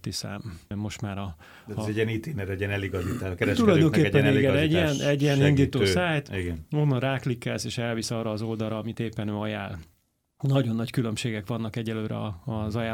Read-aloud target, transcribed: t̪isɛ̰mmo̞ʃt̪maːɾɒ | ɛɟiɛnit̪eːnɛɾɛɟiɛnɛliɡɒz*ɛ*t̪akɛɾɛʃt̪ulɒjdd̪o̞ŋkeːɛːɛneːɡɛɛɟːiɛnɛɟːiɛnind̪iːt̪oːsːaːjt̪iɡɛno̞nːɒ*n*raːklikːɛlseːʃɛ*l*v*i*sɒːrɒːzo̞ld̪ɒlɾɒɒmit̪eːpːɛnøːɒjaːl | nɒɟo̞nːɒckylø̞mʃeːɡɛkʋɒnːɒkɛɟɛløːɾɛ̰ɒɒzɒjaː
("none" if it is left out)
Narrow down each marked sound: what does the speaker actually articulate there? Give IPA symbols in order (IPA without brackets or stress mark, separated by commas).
i, n, l, i